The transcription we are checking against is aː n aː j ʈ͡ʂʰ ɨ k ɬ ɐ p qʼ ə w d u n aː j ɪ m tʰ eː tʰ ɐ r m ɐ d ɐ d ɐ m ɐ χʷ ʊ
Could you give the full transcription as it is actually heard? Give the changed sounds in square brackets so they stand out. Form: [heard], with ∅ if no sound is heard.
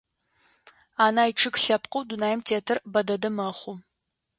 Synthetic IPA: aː n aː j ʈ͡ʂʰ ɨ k ɬ ɐ p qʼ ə w d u n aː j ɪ m tʰ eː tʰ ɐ r [b] ɐ d ɐ d ɐ m ɐ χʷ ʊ